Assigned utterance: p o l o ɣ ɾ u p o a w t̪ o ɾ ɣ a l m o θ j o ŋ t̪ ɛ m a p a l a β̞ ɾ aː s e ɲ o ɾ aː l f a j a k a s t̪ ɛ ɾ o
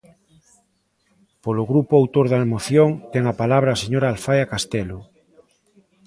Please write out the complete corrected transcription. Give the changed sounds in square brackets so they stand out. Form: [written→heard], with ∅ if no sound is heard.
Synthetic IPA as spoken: p o l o ɣ ɾ u p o a w t̪ o ɾ [ɣ→ð] a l m o θ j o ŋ t̪ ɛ [m→ŋ] a p a l a β̞ ɾ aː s e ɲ o ɾ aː l f a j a k a s t̪ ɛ [ɾ→l] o